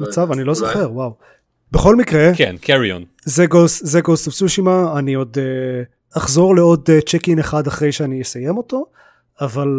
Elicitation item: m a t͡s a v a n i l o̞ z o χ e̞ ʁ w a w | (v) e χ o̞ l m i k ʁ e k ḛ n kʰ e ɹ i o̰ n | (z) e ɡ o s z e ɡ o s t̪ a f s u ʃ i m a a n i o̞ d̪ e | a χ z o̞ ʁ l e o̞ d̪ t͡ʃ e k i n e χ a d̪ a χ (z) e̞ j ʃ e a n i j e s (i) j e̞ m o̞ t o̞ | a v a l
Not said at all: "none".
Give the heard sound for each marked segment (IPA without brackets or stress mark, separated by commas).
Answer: b, z, ʁ, a